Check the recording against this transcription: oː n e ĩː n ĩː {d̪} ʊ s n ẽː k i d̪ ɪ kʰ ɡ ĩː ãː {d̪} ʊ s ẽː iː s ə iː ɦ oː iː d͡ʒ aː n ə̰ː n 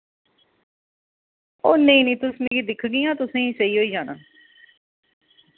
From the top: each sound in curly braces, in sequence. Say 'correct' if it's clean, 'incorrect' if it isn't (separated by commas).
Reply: incorrect, incorrect